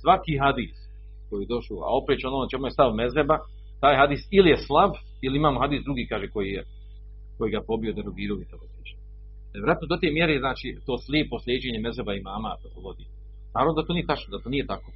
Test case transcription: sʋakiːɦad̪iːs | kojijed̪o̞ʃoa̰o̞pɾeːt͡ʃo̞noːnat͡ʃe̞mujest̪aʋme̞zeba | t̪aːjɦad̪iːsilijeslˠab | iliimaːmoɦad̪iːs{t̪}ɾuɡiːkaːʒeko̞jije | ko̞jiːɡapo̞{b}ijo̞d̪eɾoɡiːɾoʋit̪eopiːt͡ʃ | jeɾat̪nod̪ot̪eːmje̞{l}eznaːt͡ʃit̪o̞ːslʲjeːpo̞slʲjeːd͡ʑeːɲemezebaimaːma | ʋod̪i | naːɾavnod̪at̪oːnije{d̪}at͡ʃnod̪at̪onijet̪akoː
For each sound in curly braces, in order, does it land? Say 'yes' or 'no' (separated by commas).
no, yes, no, no